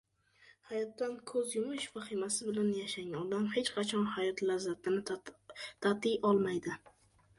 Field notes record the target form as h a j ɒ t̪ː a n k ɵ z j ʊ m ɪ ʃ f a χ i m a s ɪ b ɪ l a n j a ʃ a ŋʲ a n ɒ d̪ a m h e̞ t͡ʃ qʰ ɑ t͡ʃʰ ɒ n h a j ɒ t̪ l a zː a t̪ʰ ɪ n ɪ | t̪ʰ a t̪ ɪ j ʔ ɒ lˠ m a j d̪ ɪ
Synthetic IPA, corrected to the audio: h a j ɒ t̪ː a n kʰ ɵ z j ʊ m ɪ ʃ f a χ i m a s ɪ b ɪ l a n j a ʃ a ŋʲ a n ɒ d̪ a m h e̞ t͡ʃ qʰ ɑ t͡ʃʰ ɒ n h a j ɒ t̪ l a zː a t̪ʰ ɪ n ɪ | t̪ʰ a t̪ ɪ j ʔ ɒ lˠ m a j d̪ ɪ